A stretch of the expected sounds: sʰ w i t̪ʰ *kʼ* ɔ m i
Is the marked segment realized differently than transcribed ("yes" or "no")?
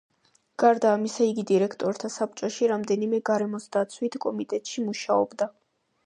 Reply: no